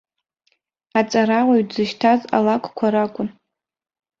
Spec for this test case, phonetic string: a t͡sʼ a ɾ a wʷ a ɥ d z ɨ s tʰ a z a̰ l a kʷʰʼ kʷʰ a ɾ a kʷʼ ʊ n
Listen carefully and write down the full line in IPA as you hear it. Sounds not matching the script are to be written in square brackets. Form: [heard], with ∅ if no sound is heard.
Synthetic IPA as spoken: a t͡sʼ a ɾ a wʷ a ɥ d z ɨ [ʃ] tʰ a z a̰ l a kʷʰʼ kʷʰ a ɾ a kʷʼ ʊ n